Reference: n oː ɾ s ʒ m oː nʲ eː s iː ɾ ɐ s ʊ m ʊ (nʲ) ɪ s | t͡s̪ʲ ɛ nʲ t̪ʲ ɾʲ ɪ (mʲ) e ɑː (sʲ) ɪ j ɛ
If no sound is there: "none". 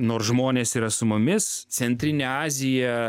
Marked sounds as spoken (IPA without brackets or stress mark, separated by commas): mʲ, nʲ, zʲ